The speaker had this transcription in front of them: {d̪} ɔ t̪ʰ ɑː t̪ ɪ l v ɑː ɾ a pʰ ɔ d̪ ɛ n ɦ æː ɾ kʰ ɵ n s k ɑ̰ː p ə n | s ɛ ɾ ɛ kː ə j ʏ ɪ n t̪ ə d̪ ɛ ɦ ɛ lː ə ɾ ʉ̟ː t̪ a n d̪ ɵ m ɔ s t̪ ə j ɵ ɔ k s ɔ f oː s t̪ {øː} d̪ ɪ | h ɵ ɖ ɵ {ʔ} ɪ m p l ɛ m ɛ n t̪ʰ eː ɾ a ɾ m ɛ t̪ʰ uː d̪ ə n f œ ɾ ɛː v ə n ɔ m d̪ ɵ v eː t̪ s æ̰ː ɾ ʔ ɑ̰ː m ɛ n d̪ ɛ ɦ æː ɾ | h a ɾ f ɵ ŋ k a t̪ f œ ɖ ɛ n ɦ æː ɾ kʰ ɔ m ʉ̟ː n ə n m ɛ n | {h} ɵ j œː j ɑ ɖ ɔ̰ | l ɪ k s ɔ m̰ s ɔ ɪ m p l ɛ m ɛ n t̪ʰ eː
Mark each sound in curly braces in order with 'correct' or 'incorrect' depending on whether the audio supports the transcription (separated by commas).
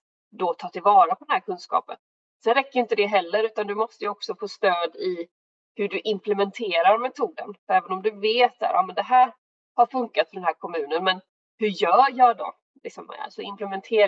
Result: correct, correct, correct, correct